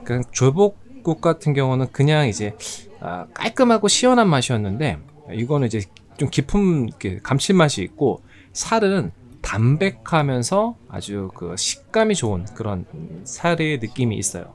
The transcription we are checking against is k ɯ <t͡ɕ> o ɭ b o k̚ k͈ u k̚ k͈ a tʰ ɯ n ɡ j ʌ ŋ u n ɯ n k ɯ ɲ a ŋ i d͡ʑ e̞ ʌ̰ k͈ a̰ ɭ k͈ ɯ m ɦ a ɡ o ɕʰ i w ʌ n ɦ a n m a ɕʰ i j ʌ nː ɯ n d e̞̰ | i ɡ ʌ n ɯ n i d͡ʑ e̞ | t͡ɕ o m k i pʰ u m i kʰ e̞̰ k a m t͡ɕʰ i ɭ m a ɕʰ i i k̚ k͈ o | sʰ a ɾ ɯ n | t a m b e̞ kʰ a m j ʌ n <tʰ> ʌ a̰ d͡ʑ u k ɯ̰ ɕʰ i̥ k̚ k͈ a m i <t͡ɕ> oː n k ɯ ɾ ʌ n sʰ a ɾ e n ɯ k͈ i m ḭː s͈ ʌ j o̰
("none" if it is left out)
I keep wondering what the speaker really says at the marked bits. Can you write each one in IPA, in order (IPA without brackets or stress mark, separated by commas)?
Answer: t͡ɕ, sʰ, t͡ɕ